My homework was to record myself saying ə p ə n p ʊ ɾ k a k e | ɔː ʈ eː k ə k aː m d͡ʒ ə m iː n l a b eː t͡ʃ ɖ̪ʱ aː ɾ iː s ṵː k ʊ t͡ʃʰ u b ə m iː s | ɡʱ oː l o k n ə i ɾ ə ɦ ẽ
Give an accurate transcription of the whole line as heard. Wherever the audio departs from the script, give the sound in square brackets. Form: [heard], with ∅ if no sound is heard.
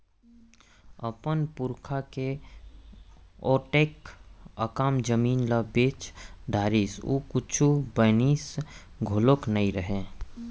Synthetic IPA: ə p ə n p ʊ ɾ [kʰ] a k e | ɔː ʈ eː k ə k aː m d͡ʒ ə m iː n l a b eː t͡ʃ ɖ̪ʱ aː ɾ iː s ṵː k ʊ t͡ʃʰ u b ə [n] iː s | ɡʱ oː l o k n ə i ɾ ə ɦ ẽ